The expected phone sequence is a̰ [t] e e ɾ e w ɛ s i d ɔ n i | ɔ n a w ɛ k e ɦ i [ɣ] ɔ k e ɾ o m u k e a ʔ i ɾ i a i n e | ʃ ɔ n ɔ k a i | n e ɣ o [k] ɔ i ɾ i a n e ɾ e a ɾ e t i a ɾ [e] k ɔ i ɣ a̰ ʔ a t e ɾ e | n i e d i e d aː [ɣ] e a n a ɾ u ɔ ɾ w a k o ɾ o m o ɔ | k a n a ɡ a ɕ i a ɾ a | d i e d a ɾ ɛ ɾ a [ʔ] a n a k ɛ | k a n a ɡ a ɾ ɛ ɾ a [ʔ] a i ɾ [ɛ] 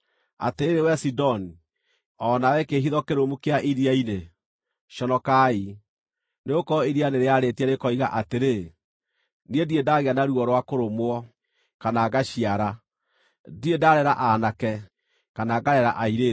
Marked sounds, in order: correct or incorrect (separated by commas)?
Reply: correct, incorrect, correct, correct, correct, correct, correct, incorrect